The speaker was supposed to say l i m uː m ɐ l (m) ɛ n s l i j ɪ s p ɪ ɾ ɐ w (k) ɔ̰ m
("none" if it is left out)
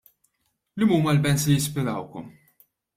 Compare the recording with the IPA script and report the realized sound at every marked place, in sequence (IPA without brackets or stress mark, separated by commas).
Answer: b, k